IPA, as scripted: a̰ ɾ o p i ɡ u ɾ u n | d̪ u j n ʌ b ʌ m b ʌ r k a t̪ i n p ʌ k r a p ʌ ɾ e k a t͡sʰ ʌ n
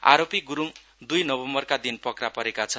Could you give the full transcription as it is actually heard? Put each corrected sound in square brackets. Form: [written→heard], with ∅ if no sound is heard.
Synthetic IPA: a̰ ɾ o p i ɡ u ɾ u [n→m] | d̪ u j n ʌ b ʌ m b ʌ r k a [t̪→d̪] i n p ʌ k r a p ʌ ɾ e k a t͡sʰ ʌ n

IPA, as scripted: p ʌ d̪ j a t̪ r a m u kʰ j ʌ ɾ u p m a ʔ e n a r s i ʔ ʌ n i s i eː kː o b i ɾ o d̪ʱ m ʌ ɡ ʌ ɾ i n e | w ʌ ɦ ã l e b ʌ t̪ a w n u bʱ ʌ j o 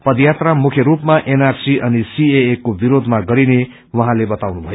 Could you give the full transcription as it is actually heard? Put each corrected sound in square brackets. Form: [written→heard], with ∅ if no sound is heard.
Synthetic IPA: p ʌ d̪ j a t̪ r a m u kʰ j ʌ ɾ u p m a ʔ e n a r s i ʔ ʌ n i s i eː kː o b i ɾ o d̪ʱ m [ʌ→a] ɡ ʌ ɾ i n e | w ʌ ɦ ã l e b ʌ t̪ a w n u bʱ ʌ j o

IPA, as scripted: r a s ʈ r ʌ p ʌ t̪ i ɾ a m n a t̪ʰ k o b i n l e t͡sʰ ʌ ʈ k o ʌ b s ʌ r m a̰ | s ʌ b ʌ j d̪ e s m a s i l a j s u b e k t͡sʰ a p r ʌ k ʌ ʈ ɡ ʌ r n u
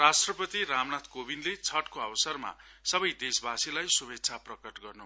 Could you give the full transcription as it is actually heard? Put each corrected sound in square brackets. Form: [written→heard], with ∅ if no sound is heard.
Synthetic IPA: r a s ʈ r ʌ p ʌ t̪ i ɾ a m n a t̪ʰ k o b i n l e t͡sʰ ʌ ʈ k o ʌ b s ʌ r m a̰ | s ʌ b ʌ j d̪ e s [m→b] a s i l a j s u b e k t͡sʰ a p r ʌ k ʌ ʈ ɡ ʌ r n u

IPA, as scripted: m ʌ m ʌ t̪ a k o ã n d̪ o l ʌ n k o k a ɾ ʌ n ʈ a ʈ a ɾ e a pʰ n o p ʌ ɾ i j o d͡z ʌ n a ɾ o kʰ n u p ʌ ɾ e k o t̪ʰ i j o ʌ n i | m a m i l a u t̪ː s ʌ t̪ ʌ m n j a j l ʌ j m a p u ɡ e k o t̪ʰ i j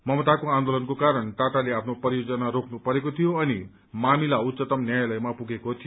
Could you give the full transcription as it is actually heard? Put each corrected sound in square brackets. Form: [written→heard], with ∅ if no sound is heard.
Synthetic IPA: m ʌ m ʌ t̪ a k o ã n d̪ o l ʌ n k o k a ɾ ʌ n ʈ a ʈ a [ɾ→l] e a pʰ n o p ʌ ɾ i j o d͡z ʌ n a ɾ o kʰ n u p ʌ ɾ e k o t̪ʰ i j o ʌ n i | m a m i l a u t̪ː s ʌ t̪ ʌ m n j a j l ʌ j m a p u ɡ e k o t̪ʰ i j

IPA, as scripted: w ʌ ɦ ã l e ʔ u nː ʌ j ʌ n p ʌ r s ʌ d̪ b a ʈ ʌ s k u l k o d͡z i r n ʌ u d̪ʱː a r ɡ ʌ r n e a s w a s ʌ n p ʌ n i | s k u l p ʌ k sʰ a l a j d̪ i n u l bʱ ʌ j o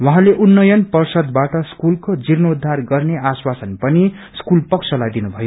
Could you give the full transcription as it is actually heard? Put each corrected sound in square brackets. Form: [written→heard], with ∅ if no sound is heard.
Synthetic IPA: w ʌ ɦ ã l e ʔ u nː ʌ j ʌ n p ʌ r s ʌ d̪ b a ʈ ʌ s k u l k o d͡z i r n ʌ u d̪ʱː a r ɡ ʌ r n e a s w a s ʌ n p ʌ n i | s k u l p ʌ k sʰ [a→ʌ] l a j d̪ i n u [l→∅] bʱ ʌ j o

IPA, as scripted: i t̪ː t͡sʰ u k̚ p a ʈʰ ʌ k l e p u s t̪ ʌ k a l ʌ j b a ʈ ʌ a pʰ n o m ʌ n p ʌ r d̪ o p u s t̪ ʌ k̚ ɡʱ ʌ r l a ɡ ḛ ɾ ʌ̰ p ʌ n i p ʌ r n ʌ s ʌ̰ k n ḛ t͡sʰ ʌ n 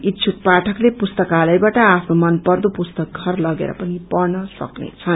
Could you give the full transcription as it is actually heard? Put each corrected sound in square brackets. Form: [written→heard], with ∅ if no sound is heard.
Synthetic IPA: i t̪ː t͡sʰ u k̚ p a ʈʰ ʌ k l e p u s t̪ ʌ k a l ʌ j b a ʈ ʌ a pʰ n o m ʌ n p ʌ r d̪ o p u s t̪ ʌ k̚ ɡʱ ʌ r l [a→ʌ] ɡ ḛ ɾ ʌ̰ p ʌ n i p ʌ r n ʌ s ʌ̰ k n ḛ t͡sʰ ʌ n

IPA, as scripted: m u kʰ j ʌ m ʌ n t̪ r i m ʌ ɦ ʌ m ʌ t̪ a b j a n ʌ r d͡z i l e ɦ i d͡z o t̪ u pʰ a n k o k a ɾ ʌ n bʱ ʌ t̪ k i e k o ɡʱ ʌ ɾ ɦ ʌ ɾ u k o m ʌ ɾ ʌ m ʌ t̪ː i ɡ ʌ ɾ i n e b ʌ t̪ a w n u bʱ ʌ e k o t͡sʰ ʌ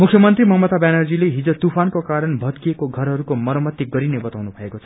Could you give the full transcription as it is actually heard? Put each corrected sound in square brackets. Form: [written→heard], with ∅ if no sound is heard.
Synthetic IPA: m u kʰ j ʌ m ʌ n t̪ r i m ʌ ɦ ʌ m ʌ t̪ a b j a n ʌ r d͡z i l e ɦ i d͡z o t̪ u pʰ a n k o k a ɾ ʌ n bʱ ʌ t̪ k i e k o ɡʱ ʌ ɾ ɦ ʌ ɾ u k o m ʌ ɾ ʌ m ʌ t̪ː i ɡ ʌ ɾ i n e b ʌ t̪ a w n u bʱ ʌ e k o t͡sʰ ʌ

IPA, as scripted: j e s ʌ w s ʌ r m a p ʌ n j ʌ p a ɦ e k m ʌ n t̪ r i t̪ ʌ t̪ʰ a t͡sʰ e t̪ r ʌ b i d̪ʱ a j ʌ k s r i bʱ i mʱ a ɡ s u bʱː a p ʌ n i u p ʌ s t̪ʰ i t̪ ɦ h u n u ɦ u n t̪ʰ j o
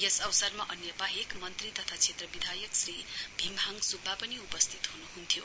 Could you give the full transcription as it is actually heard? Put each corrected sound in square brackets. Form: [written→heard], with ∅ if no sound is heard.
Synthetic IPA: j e s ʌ w s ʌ r m a [p→ʔ] ʌ n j ʌ p a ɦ e k m ʌ n t̪ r i t̪ ʌ t̪ʰ a t͡sʰ e t̪ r ʌ b i d̪ʱ a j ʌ k s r i bʱ i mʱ a [ɡ→ŋ] s u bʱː a p ʌ n i u p ʌ s t̪ʰ i t̪ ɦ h u n u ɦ u n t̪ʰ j o

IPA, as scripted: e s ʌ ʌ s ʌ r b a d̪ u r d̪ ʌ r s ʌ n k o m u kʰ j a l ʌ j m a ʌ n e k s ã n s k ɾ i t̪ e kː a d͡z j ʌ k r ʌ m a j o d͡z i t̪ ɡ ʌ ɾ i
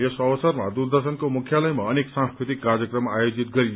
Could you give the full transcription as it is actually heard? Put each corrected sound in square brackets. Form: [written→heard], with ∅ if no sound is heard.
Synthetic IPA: e s ʌ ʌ s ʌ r [b→m] a d̪ u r d̪ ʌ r s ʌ n k o m u kʰ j a l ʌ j m a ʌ n e k s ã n s k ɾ i t̪ [e→i] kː a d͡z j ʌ k r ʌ m a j o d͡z i t̪ ɡ ʌ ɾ i

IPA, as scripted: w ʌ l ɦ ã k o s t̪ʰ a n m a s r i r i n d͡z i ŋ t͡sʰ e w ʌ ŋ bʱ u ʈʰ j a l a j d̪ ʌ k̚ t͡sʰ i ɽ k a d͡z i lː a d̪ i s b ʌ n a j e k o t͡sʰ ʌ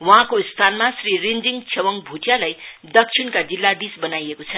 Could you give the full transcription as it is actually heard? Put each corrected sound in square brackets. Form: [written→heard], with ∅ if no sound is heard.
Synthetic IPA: w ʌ [l→∅] ɦ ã k o s t̪ʰ a n m a s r i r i n d͡z i ŋ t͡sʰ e w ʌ ŋ bʱ u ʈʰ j a l a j d̪ ʌ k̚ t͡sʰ i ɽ k a d͡z i lː a d̪ i s b ʌ n a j e k o t͡sʰ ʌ

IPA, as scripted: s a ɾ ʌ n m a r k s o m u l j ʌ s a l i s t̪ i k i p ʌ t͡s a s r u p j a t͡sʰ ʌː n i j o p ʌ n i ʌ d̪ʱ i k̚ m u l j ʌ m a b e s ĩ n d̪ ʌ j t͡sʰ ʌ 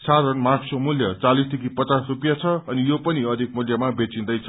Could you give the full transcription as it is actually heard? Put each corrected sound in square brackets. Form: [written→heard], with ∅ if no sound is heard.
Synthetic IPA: s a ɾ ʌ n m a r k s o m u l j ʌ [s→t͡s] a l i s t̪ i k i p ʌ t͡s a s r u p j a t͡sʰ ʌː n i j o p ʌ n i ʌ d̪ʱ i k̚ m u l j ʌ m a b e [s→t͡s] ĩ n d̪ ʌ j t͡sʰ ʌ

